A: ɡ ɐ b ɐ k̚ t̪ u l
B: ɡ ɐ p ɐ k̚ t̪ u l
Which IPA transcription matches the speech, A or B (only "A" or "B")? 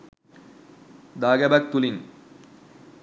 A